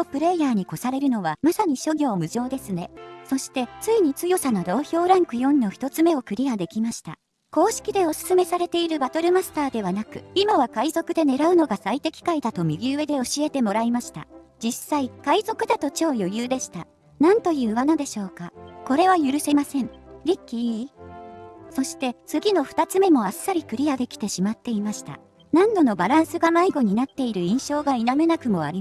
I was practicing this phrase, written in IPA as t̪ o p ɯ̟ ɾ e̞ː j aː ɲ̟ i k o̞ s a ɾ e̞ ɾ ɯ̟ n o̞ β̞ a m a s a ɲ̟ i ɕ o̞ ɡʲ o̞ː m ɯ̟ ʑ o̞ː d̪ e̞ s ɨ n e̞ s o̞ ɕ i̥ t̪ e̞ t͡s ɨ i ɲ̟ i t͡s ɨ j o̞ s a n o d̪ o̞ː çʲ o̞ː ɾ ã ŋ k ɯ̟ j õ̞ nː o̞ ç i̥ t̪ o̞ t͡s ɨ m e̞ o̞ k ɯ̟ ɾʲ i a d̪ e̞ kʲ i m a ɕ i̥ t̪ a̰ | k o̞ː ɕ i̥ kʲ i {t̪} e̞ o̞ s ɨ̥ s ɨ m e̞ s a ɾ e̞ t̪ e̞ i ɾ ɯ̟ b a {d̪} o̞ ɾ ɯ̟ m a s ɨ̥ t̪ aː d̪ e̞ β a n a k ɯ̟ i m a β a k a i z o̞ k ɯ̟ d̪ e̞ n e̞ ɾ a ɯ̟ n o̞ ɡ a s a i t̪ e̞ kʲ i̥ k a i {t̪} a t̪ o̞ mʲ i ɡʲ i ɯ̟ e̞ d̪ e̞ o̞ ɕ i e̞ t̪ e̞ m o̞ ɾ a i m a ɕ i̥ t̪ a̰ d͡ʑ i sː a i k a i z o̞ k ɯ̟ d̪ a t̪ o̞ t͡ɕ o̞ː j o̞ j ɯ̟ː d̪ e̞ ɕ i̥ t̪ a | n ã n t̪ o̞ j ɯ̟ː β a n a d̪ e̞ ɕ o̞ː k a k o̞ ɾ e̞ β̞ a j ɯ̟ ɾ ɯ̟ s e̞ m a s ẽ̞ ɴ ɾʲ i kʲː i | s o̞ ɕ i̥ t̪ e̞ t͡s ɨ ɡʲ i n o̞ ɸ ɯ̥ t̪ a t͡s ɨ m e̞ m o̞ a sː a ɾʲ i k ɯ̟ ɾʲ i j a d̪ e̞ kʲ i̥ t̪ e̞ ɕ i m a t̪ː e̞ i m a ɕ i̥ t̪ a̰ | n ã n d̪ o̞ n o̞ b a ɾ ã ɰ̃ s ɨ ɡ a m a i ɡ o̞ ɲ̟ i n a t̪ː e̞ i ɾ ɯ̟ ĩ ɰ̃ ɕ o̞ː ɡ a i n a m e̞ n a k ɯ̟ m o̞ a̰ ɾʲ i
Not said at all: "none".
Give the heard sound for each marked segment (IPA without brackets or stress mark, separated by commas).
d̪, t̪, d̪